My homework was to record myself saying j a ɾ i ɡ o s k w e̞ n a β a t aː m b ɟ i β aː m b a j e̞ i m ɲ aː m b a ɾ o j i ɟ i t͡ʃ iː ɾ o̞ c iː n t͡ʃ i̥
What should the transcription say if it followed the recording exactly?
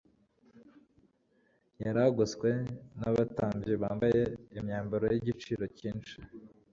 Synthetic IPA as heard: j a ɾ a ɡ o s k w e̞ n a β a t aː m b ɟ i β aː m b a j e̞ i m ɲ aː m b a ɾ o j i ɟ i t͡ʃ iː ɾ o̞ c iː n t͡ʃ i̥